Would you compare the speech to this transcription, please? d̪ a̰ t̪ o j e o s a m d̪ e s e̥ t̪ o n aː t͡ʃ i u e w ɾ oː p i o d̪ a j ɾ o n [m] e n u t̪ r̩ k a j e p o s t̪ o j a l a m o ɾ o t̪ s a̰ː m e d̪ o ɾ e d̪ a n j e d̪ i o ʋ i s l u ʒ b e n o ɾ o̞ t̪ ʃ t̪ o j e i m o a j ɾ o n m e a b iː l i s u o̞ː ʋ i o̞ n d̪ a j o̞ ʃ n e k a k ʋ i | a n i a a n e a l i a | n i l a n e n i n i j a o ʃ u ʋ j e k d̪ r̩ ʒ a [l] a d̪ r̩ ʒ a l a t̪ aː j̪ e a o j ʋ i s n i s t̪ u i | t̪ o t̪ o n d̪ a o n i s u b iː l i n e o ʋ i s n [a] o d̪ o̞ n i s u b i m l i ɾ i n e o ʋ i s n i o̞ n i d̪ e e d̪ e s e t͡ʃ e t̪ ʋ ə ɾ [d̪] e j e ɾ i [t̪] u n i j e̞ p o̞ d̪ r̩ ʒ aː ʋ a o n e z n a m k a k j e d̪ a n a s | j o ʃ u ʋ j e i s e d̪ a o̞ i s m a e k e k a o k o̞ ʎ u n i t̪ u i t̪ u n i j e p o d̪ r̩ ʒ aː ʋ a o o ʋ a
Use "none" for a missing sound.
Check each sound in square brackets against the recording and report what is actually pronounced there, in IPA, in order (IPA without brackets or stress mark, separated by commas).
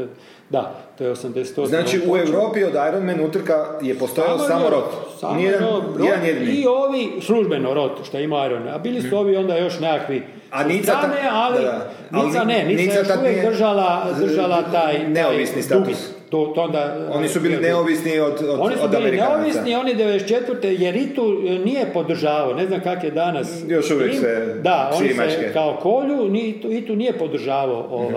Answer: m, l, i, t̪, t̪